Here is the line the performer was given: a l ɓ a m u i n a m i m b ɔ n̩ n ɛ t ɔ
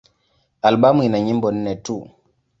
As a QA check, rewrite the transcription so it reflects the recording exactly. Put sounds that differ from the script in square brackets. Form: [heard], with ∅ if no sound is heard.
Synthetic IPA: a l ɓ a m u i n a [ɲ] i m b ɔ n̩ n ɛ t [u]